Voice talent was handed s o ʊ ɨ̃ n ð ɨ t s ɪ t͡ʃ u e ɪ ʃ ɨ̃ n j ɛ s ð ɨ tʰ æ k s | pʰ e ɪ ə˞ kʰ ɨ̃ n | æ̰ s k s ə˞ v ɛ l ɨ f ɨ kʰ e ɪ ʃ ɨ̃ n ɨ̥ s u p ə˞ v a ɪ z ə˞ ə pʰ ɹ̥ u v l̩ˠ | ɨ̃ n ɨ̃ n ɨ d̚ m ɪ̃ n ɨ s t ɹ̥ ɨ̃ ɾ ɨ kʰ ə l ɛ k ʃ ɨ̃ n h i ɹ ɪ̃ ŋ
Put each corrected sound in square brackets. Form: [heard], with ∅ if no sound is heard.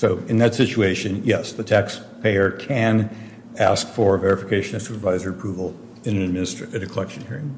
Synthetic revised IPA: s o ʊ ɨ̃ n ð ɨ t s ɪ t͡ʃ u e ɪ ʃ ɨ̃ n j ɛ s ð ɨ tʰ æ k s | pʰ e ɪ ə˞ kʰ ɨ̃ n | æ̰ s k [f] ə˞ v ɛ [ɹ] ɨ f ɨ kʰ e ɪ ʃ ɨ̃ n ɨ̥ s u p ə˞ v a ɪ z ə˞ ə pʰ ɹ̥ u v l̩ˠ | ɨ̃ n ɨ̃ n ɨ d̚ m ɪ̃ n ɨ s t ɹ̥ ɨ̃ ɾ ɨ kʰ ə l ɛ k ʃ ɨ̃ n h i ɹ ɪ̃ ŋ